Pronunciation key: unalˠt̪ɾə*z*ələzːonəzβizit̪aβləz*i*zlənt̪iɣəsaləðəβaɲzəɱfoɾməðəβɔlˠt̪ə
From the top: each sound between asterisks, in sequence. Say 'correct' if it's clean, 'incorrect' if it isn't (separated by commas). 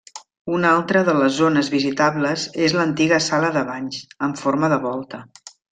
incorrect, incorrect